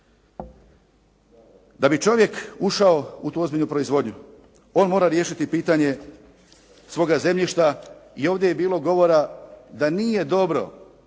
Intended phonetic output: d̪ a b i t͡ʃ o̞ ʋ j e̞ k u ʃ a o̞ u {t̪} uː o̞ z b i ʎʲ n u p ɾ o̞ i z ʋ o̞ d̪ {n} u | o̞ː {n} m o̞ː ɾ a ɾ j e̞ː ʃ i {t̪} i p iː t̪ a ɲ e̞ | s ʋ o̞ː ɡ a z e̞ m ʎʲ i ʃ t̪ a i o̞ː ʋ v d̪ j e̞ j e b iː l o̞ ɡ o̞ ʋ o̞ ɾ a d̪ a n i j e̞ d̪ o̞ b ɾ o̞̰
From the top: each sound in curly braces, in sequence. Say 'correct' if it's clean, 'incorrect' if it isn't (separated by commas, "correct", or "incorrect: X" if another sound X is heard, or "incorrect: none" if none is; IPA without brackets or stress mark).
correct, incorrect: ɲ, correct, correct